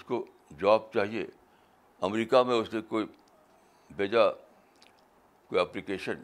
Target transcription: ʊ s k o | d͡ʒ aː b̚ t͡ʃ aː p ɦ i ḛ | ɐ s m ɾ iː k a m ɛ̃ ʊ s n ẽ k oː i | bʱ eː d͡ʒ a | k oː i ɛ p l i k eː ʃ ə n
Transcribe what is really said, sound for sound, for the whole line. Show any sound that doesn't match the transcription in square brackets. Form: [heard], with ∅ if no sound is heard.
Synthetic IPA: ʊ s k o | d͡ʒ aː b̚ t͡ʃ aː [∅] ɦ i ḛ | ɐ [∅] m ɾ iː k a m [ẽ] ʊ s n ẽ k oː i | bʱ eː d͡ʒ a | k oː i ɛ p l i k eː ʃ ə n